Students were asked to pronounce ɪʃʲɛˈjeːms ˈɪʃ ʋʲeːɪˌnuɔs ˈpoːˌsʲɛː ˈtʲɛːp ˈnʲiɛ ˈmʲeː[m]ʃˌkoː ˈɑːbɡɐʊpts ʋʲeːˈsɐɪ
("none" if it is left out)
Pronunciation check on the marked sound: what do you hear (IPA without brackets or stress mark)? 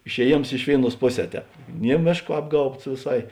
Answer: none